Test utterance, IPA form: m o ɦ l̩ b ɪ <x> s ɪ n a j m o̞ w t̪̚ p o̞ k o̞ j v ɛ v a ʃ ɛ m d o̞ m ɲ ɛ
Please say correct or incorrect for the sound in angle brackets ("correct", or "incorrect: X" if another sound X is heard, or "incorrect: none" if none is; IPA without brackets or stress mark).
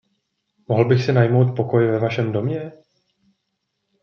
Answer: correct